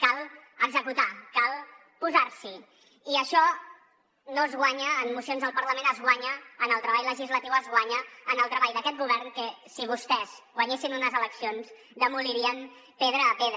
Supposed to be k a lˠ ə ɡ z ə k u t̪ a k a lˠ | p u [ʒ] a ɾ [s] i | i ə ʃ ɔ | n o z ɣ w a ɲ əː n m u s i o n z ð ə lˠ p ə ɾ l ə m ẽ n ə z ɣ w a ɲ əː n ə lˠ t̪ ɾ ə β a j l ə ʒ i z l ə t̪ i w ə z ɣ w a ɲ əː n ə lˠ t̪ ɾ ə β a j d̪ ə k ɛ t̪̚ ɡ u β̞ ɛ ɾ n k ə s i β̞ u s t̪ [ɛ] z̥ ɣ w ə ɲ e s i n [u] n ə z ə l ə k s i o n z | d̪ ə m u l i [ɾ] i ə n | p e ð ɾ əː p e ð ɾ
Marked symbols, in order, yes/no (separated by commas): no, yes, yes, yes, yes